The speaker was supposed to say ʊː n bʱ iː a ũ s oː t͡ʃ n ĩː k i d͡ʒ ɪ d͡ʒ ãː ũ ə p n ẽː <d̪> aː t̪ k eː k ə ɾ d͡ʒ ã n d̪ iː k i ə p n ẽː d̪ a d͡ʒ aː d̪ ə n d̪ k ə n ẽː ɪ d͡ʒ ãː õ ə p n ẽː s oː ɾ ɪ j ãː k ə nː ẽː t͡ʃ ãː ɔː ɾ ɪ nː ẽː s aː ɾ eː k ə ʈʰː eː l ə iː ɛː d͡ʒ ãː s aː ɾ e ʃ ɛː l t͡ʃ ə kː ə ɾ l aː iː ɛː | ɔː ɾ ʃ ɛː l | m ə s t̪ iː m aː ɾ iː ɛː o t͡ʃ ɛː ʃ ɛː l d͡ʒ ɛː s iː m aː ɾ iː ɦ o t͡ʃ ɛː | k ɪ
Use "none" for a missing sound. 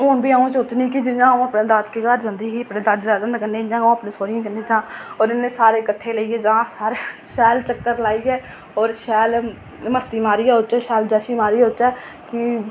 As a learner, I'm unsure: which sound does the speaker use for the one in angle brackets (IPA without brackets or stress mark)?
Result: d̪